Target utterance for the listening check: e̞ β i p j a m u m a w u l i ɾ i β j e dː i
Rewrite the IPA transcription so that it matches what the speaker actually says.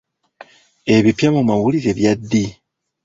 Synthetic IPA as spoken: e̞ β i p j a m u m a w u l i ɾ e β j a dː i